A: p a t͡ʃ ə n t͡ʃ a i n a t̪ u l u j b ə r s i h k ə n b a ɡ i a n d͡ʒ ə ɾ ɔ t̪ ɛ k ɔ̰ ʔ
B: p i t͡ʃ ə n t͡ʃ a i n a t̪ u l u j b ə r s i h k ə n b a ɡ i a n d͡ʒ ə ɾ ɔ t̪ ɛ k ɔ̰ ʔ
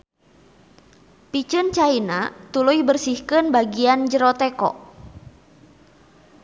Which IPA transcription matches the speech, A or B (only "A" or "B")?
B